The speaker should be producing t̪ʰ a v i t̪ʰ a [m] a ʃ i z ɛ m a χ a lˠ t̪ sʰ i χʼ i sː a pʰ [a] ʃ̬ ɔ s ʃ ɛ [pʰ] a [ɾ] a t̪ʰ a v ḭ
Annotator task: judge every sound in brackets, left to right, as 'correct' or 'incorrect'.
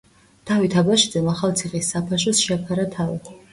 incorrect: b, correct, correct, correct

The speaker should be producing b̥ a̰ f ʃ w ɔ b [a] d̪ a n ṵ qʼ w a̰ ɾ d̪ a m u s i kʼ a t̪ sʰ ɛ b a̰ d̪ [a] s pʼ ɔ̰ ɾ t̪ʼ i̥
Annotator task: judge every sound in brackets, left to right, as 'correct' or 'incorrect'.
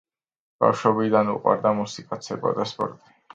incorrect: i, correct

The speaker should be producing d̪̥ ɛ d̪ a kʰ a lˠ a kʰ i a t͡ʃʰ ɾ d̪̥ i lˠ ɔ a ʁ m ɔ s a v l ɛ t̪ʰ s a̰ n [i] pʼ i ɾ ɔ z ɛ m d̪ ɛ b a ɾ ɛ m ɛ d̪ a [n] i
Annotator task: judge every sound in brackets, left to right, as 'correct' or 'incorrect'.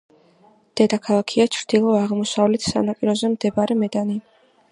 incorrect: a, correct

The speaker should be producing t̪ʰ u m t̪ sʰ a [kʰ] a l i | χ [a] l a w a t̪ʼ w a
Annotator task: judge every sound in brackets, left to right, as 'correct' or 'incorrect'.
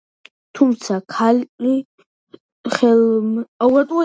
correct, incorrect: ɛ

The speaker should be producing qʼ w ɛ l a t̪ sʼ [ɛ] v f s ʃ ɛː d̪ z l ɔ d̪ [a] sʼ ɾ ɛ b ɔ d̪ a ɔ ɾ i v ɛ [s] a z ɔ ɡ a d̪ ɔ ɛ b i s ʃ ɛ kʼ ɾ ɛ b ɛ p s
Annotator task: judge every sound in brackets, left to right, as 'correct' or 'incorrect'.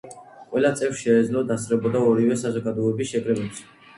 correct, correct, correct

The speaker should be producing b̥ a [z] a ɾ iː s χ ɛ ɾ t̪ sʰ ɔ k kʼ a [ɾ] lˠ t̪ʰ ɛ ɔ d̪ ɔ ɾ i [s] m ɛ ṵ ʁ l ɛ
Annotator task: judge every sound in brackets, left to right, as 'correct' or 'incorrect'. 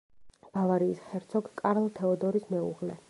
incorrect: v, correct, correct

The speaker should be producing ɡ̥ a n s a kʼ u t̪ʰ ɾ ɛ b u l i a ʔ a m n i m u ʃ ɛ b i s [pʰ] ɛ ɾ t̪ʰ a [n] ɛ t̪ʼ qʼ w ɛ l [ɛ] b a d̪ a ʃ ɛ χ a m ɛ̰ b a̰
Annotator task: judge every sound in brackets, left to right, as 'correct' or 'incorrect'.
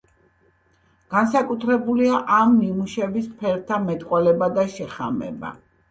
correct, incorrect: m, correct

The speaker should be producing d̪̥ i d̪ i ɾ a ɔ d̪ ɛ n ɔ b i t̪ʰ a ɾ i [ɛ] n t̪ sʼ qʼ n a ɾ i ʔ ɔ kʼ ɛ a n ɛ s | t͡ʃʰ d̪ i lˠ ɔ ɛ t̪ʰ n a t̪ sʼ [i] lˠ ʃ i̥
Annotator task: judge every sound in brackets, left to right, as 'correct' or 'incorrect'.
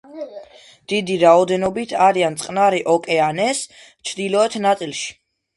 incorrect: a, correct

